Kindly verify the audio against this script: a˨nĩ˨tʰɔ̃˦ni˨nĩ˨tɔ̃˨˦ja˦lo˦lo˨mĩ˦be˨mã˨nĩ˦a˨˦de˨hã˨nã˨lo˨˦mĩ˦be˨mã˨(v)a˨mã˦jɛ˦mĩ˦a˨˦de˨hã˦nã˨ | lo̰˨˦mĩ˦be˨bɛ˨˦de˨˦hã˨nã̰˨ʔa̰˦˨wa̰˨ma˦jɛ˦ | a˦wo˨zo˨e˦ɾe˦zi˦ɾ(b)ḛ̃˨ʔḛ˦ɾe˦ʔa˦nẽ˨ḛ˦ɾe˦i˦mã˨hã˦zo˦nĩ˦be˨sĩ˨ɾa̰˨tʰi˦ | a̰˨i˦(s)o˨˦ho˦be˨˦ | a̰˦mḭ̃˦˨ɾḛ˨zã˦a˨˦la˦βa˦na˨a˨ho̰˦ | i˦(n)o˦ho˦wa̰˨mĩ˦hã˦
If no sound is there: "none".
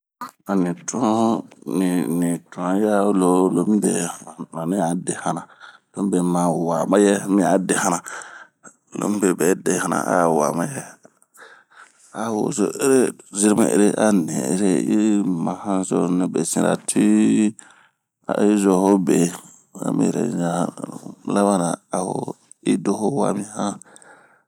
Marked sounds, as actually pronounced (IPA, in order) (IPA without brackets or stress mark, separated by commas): w, m, z, d